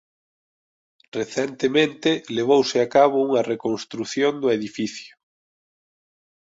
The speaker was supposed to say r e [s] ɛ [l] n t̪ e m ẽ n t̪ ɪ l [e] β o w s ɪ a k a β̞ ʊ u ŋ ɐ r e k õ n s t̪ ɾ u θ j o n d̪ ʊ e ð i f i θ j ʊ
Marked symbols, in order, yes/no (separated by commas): no, no, yes